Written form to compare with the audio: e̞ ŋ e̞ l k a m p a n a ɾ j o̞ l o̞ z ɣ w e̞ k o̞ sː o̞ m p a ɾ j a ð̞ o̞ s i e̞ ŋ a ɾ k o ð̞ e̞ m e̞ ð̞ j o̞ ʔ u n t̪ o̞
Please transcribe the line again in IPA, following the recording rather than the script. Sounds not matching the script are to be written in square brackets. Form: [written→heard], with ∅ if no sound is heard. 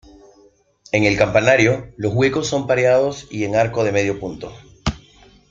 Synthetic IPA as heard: e̞ ŋ e̞ l k a m p a n a ɾ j o̞ l o̞ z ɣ w e̞ k o̞ sː o̞ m p a ɾ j a ð̞ o̞ s i e̞ ŋ a ɾ k o ð̞ e̞ m e̞ ð̞ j o̞ [ʔ→p] u n t̪ o̞